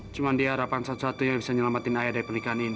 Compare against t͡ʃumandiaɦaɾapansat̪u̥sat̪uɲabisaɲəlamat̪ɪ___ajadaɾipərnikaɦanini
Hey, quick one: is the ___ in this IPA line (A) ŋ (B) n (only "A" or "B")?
B